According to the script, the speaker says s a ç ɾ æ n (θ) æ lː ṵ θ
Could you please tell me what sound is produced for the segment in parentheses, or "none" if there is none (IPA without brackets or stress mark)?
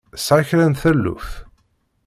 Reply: θ